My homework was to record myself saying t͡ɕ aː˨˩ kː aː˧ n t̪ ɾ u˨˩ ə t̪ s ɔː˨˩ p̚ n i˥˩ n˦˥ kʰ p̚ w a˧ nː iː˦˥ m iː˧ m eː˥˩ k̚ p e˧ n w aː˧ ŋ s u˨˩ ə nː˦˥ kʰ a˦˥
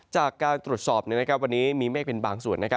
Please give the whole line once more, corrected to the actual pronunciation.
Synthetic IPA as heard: t͡ɕ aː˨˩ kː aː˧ n t̪ ɾ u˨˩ ə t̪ s ɔː˨˩ p̚ n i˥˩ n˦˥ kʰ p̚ w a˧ nː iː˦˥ m iː˧ m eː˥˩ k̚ p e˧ n b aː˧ ŋ s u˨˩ ə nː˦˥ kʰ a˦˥